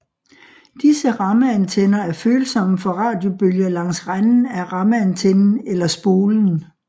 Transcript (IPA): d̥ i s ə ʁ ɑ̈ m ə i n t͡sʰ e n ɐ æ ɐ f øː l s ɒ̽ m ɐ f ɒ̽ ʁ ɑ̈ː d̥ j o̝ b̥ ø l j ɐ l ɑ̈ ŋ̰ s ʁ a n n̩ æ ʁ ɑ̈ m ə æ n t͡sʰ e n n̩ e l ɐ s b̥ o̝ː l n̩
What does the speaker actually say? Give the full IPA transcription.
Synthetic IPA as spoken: d̥ i s ə ʁ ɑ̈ m ə æ n t͡sʰ e n ɐ æ ɐ f øː l s ɒ̽ m ə f ɒ̽ ʁ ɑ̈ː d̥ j o̝ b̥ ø l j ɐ l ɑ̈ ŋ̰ s ʁ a n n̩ æ ʁ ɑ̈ m ə æ n t͡sʰ e n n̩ e l ɐ s b̥ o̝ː l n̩